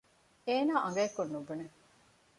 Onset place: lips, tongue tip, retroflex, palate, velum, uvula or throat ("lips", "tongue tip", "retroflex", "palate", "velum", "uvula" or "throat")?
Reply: tongue tip